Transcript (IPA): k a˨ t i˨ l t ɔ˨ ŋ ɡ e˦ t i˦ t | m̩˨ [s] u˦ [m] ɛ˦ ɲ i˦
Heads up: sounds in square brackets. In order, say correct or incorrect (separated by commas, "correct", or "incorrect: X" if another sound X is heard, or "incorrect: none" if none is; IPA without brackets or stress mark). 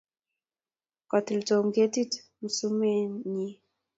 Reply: correct, correct